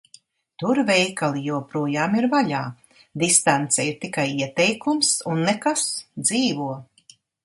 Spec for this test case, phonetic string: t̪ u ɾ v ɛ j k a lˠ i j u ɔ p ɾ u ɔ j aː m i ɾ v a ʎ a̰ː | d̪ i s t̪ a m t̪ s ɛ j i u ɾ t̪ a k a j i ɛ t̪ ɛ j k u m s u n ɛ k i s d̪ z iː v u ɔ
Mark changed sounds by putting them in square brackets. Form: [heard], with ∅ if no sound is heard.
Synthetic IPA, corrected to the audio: t̪ u ɾ v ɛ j k a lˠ i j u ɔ p ɾ u ɔ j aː m i ɾ v a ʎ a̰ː | d̪ i s t̪ a [n] t̪ s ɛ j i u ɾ t̪ [i] k a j i ɛ t̪ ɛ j k u m s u [nː] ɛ k [a] s d̪ z iː v u ɔ